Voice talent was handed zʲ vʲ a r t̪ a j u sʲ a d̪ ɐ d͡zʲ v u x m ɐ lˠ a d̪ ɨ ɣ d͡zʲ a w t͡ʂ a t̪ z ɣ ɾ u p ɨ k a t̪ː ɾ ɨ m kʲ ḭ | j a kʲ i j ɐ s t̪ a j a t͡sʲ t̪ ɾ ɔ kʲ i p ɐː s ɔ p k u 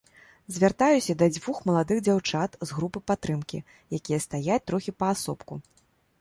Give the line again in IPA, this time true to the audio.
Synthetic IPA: zʲ vʲ a r t̪ a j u sʲ ɐ d̪ ɐ d͡zʲ v u x m ɐ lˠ a d̪ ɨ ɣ d͡zʲ a w t͡ʂ a t̪ z ɣ ɾ u p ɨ p a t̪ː ɾ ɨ m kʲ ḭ | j a kʲ i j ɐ s t̪ a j a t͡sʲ t̪ ɾ ɔ xʲ i p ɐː s ɔ p k u